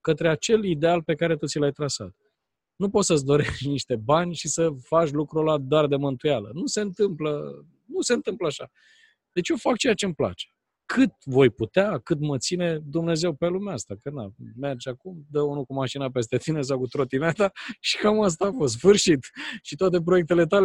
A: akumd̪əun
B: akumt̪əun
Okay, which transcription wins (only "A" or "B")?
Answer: A